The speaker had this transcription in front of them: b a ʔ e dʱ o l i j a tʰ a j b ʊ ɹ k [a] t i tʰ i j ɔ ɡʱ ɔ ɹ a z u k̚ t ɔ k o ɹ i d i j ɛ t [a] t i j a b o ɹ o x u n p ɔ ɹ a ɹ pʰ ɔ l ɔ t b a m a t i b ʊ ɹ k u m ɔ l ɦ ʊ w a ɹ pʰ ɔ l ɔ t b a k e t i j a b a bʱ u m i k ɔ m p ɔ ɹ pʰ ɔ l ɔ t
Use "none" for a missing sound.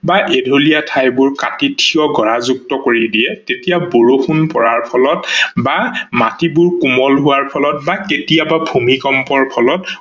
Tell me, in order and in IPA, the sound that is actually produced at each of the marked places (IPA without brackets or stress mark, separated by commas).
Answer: a, e